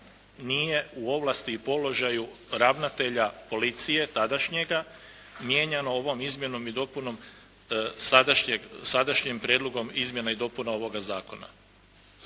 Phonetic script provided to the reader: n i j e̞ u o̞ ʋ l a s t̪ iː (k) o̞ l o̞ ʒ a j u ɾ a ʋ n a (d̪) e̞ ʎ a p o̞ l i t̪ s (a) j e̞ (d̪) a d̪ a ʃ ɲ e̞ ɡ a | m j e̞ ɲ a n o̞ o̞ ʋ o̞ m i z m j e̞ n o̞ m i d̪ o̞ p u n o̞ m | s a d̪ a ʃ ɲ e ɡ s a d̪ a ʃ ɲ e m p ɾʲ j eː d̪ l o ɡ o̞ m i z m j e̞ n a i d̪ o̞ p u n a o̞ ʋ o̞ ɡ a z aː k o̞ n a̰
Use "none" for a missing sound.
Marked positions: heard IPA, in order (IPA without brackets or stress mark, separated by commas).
p, t̪, i, t̪